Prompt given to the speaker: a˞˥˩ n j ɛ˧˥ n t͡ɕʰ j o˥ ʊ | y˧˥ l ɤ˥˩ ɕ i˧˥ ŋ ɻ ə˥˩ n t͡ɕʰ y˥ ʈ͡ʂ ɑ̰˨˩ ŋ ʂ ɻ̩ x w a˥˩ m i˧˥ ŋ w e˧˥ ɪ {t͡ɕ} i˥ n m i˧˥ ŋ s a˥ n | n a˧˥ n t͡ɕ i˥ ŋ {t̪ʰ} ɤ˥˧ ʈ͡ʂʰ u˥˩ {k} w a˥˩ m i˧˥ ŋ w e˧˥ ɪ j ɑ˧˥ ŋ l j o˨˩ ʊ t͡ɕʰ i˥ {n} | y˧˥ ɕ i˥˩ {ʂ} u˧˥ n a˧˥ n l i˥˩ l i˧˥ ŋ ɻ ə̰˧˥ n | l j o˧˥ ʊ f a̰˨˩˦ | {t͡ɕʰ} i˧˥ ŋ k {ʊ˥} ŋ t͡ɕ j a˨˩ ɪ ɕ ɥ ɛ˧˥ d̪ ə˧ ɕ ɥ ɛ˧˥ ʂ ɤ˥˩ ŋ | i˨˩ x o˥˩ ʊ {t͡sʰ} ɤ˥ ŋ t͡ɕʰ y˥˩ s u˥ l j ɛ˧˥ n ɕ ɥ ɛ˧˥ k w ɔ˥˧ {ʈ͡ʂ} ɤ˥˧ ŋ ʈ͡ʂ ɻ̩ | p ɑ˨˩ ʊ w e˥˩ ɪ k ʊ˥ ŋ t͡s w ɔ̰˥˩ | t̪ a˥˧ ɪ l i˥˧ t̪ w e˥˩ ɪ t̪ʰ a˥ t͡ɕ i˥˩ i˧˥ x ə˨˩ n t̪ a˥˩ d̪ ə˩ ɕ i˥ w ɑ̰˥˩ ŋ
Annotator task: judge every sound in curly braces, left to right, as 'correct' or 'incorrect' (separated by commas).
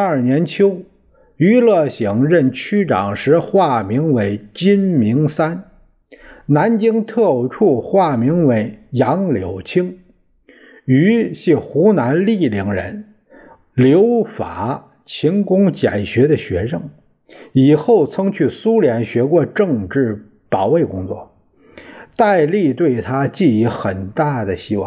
correct, correct, incorrect, incorrect, incorrect, correct, correct, correct, correct